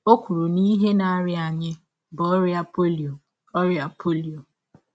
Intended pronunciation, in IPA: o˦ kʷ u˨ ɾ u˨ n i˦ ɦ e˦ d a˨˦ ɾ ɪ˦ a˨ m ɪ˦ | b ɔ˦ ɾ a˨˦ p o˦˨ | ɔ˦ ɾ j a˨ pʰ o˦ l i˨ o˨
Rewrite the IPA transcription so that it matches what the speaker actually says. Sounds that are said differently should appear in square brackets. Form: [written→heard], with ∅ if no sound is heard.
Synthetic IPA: o˦ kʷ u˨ ɾ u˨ n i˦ ɦ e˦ [d→n] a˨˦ ɾ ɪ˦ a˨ [m→ɲ] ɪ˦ | b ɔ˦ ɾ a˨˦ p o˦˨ | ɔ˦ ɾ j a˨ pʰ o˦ l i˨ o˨